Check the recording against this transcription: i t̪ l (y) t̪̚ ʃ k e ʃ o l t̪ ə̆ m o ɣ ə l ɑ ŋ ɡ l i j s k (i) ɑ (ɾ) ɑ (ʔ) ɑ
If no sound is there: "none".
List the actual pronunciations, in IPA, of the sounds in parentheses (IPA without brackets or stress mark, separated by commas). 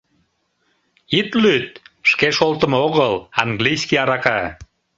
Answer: y, i, ɾ, k